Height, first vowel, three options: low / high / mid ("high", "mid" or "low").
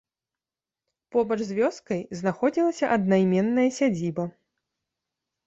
mid